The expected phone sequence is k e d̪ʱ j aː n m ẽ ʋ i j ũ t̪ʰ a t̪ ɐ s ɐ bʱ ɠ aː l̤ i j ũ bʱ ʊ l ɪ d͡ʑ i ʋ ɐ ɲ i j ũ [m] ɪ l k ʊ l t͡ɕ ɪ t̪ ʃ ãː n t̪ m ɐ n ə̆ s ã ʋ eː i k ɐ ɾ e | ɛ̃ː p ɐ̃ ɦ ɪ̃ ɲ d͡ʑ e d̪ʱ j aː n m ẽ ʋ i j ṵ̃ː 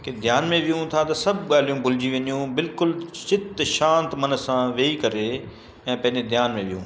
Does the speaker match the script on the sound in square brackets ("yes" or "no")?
no